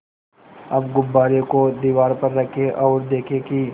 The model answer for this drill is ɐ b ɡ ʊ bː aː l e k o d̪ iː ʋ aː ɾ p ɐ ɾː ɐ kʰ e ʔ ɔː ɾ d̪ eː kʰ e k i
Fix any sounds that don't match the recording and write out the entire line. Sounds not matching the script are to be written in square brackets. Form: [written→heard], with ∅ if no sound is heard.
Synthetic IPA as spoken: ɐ b ɡ ʊ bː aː [l→ɾ] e k o d̪ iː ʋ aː ɾ p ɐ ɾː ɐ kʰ e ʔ ɔː ɾ d̪ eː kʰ e k i